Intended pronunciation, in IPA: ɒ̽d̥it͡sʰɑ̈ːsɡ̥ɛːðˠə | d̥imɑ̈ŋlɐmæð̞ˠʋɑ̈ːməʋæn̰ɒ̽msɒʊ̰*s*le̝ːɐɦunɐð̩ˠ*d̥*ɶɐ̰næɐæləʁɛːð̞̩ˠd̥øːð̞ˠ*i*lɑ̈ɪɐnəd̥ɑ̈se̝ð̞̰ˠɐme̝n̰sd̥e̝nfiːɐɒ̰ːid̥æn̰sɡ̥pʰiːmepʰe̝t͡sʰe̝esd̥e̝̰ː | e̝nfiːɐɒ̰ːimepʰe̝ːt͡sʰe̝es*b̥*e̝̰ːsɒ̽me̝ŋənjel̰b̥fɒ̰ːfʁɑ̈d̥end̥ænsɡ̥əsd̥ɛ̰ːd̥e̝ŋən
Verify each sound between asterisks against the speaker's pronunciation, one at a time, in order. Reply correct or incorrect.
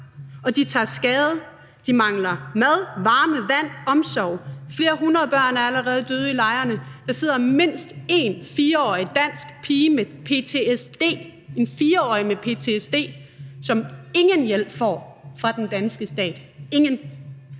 incorrect: f, incorrect: b̥, correct, incorrect: d̥

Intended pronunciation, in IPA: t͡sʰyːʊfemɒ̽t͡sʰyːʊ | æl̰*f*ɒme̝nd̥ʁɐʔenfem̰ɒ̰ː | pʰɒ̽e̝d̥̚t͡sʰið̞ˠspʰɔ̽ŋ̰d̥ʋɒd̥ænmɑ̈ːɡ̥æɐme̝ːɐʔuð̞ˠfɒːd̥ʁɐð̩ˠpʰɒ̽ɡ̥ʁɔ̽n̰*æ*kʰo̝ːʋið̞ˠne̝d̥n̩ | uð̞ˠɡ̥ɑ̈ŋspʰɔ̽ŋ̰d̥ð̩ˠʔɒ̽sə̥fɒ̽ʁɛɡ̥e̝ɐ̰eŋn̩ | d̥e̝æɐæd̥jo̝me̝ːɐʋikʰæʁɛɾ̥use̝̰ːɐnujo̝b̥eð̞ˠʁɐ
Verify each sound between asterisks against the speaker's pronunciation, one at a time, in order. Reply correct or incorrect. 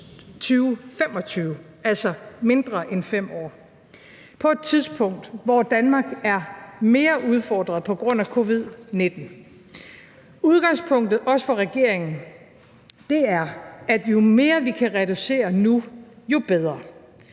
incorrect: s, correct

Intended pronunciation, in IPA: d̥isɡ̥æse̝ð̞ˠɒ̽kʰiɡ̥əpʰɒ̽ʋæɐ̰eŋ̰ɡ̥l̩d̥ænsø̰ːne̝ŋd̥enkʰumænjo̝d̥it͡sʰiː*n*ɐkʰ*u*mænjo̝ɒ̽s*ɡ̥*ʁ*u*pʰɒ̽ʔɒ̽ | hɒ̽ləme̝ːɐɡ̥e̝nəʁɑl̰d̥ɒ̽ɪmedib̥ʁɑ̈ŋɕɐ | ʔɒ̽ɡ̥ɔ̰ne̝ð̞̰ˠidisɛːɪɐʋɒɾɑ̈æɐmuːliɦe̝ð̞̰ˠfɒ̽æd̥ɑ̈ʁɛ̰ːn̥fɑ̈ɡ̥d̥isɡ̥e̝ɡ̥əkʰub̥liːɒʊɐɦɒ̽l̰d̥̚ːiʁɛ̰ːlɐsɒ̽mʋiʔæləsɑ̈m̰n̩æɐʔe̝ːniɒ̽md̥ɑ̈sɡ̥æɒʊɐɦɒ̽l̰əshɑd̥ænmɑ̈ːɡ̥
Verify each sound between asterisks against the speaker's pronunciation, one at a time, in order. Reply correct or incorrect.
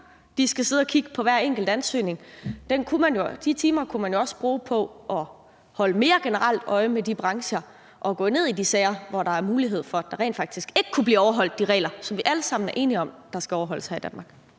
incorrect: m, correct, incorrect: b̥, incorrect: uː

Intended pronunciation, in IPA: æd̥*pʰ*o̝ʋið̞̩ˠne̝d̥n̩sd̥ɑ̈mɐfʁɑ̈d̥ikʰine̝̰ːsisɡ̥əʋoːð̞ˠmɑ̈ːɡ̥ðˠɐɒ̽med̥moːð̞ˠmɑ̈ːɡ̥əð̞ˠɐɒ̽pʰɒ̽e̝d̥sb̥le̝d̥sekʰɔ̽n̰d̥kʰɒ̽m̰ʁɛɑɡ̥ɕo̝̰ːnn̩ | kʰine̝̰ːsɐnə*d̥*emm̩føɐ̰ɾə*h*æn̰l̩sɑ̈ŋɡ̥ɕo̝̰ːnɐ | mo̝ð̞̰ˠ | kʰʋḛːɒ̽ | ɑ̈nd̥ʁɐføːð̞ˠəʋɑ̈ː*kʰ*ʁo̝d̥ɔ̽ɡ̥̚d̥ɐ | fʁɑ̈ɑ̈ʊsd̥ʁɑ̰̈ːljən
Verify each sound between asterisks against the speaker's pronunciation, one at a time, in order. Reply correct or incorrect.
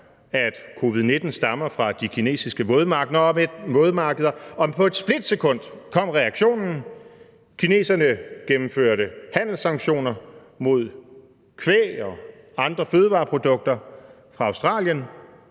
incorrect: kʰ, incorrect: ɡ̥, correct, incorrect: pʰ

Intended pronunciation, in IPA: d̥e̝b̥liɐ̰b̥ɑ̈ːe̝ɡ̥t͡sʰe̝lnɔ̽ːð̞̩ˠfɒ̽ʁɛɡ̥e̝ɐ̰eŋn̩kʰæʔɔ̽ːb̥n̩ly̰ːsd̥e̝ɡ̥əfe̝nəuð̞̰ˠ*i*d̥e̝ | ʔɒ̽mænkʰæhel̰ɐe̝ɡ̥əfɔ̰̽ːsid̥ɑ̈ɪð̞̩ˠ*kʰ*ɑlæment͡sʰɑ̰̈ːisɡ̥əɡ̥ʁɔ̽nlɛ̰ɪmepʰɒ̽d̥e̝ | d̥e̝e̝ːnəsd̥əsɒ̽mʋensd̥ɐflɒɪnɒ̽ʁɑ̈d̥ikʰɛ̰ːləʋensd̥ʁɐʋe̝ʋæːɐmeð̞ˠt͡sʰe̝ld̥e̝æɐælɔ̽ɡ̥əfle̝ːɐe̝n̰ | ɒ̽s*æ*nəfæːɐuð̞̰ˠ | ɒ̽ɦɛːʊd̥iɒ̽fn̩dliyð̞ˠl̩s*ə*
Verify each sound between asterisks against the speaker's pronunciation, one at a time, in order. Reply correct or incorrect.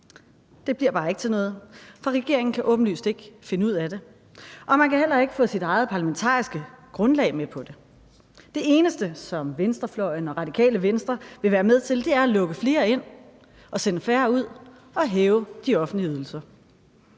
incorrect: æ, incorrect: pʰ, incorrect: e, incorrect: ɐ

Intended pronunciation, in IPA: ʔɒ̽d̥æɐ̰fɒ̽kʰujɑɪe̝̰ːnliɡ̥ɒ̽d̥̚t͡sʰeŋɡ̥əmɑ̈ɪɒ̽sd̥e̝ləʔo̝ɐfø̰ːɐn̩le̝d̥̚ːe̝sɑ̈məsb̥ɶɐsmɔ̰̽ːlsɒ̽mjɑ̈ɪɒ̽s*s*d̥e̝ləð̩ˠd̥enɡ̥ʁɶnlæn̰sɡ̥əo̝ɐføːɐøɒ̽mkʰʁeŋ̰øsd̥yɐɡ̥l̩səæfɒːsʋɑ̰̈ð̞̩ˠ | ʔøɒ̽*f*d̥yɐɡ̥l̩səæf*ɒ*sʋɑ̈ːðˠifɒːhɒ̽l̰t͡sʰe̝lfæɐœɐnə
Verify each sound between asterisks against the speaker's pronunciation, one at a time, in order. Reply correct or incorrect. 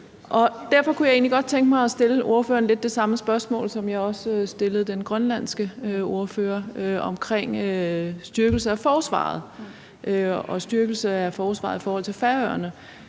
correct, incorrect: s, incorrect: ɒː

